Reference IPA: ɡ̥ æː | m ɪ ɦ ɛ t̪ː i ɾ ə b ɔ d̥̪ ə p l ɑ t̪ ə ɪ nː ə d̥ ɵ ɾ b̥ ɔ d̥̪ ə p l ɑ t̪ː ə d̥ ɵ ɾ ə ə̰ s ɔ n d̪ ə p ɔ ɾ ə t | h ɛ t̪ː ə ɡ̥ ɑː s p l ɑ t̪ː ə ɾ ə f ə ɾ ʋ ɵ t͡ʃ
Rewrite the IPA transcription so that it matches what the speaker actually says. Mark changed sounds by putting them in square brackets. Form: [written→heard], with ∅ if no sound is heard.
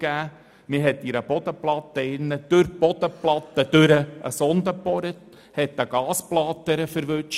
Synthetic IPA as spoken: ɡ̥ æː | m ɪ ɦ ɛ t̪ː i ɾ ə b ɔ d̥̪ ə p l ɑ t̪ ə ɪ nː ə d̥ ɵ ɾ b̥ ɔ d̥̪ ə p l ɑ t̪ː ə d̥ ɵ ɾ ə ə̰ s ɔ n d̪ ə p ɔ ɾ ə t | h ɛ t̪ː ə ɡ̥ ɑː s p l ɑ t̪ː ə ɾ ə f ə ɾ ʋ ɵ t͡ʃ

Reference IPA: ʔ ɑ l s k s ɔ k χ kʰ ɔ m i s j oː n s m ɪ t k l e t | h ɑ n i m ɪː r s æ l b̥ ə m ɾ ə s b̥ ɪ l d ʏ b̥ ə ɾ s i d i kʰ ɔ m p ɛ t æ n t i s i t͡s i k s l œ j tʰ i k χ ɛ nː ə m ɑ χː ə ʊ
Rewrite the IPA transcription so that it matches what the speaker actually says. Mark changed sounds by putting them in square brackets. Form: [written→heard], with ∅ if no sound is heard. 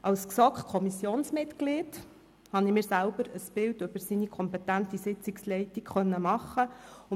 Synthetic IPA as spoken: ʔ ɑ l s k s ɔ k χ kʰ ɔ m i s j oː n s m ɪ t k l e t | h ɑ n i m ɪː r s æ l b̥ ə [m→∅] ɾ ə s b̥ ɪ l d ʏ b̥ ə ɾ s i [d→n] i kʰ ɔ m p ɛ t æ n t i s [i→ɪ] t͡s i k s l [œ→ɛ] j [tʰ→t] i k χ [ɛ→œ] nː ə m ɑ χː ə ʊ

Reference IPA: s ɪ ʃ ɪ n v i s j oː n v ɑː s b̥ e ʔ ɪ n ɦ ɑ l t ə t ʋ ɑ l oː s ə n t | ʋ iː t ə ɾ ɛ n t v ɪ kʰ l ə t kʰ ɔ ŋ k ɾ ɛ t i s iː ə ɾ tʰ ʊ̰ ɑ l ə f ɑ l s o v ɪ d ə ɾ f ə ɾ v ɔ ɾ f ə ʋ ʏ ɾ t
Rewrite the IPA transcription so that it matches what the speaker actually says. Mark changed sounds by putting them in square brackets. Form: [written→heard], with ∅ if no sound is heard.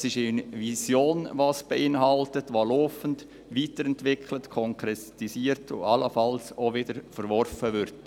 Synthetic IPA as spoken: s ɪ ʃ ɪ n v i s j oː n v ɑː s b̥ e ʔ ɪ n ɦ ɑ l t ə t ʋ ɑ l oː [s→f] ə n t | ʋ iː t ə ɾ ɛ n t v ɪ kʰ l ə t kʰ ɔ ŋ k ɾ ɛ t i s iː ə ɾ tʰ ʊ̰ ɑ l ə f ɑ l s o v ɪ d ə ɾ f ə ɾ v ɔ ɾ f ə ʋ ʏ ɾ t

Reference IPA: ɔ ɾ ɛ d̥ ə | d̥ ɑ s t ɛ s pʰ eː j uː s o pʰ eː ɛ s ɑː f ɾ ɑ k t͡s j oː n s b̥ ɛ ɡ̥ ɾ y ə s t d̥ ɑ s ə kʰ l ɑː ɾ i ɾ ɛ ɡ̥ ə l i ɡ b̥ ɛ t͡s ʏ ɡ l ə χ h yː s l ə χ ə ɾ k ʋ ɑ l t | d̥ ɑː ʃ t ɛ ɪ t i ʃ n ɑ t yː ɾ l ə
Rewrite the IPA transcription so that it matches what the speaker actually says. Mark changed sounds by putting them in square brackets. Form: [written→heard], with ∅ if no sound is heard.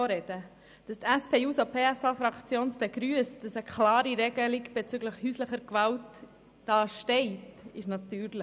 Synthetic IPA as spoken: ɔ ɾ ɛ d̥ ə | d̥ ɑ s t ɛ s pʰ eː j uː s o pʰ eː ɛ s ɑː f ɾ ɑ k t͡s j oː n s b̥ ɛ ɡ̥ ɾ y ə s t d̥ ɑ s ə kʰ l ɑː ɾ i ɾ ɛ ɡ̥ ə l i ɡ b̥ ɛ t͡s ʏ ɡ l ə χ h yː s l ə χ ə ɾ k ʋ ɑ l t | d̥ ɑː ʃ t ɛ ɪ t [i→ɪ] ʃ n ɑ t yː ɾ l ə

